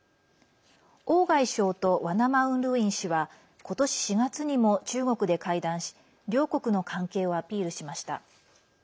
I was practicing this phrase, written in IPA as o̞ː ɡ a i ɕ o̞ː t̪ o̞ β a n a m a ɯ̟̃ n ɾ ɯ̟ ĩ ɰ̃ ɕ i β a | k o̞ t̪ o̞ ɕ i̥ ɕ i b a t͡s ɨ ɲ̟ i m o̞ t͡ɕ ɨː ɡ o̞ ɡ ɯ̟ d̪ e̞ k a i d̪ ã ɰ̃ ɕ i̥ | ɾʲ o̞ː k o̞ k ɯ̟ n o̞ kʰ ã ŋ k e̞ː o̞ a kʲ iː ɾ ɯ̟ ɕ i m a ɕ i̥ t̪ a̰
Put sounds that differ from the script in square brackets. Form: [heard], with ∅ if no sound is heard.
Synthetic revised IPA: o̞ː ɡ a i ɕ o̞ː t̪ o̞ β a n a m a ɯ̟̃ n ɾ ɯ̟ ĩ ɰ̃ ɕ i β a | k o̞ t̪ o̞ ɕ i̥ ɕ i [ɡ] a t͡s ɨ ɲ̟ i m o̞ t͡ɕ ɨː ɡ o̞ [k] ɯ̟ d̪ e̞ k a i d̪ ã ɰ̃ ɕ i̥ | ɾʲ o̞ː k o̞ k ɯ̟ n o̞ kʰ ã ŋ k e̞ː o̞ a [pʲ] iː ɾ ɯ̟ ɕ i m a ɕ i̥ t̪ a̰